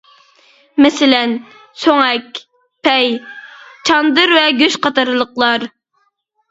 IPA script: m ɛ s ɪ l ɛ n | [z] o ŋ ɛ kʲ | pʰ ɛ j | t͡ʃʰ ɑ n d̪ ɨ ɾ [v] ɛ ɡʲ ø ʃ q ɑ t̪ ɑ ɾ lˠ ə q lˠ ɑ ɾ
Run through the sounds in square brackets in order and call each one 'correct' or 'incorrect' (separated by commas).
incorrect, correct